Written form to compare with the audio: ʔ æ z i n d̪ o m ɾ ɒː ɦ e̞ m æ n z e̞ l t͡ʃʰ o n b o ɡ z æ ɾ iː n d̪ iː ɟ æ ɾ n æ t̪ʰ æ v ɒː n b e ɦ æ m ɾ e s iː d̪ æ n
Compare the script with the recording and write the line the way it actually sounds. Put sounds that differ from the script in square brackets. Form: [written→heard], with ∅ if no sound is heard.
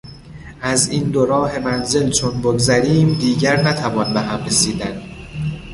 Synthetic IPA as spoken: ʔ æ z i n d̪ o [m→∅] ɾ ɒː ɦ e̞ m æ n z e̞ l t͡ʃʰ o n b o ɡ z æ ɾ iː [n→m] d̪ iː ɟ æ ɾ n æ t̪ʰ æ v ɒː n b e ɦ æ m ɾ e s iː d̪ æ n